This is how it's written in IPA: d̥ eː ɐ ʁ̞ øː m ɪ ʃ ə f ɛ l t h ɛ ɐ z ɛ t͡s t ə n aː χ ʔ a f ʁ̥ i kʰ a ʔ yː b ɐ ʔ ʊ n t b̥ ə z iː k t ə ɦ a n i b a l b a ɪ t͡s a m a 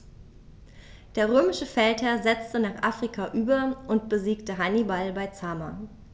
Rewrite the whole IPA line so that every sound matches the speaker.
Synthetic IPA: d̥ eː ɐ ʁ̞ øː m ɪ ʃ ə f ɛ l t h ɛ ɐ z ɛ t͡s t ə n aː χ ʔ a f ʁ̥ i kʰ a ʔ yː b ɐ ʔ ʊ n t b̥ ə z iː k t ə ɦ a n i b a l b a ɪ t͡s a m a